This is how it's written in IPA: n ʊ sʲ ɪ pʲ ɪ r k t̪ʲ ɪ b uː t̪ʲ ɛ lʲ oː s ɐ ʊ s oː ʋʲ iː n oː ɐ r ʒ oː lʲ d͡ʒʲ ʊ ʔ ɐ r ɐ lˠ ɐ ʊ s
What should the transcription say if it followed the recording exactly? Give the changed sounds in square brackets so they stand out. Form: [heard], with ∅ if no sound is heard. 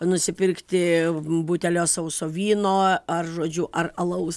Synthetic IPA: n ʊ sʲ ɪ pʲ ɪ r k t̪ʲ ɪ b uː t̪ʲ ɛ lʲ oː s ɐ ʊ s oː ʋʲ iː n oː ɐ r ʒ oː [∅] d͡ʒʲ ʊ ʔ ɐ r ɐ lˠ ɐ ʊ s